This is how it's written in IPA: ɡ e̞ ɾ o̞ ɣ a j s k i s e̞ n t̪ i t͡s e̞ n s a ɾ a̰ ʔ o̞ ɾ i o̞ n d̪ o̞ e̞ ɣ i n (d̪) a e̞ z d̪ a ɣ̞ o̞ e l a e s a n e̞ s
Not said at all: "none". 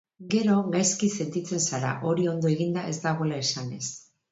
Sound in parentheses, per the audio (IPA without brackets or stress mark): d̪